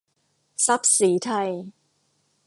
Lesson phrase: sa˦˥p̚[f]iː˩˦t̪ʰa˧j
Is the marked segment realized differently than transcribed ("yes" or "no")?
yes